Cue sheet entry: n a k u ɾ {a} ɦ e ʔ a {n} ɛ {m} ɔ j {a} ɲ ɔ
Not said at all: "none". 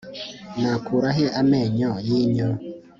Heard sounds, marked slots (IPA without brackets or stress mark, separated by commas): a, m, ɲ, i